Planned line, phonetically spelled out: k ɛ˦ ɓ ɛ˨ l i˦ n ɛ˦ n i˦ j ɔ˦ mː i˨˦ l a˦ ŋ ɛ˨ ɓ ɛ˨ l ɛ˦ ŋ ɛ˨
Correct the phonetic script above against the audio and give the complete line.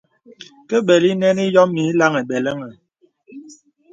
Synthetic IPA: k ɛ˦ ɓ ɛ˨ l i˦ n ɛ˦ n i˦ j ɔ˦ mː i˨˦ l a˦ ŋ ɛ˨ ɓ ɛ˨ l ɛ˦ ŋ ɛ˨